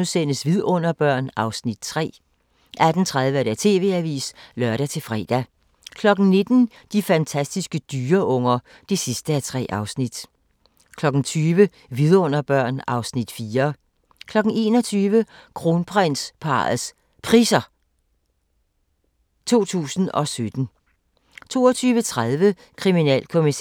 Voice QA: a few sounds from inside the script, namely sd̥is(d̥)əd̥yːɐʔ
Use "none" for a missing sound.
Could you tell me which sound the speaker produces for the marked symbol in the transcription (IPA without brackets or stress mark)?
ɡ̥